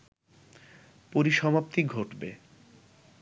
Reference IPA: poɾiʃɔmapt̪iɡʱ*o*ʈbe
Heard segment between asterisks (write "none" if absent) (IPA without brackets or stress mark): o